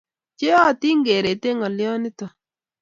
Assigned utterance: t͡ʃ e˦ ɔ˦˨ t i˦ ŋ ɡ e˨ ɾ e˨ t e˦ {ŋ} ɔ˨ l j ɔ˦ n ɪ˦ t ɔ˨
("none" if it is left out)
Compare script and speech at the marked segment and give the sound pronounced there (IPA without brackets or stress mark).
ŋ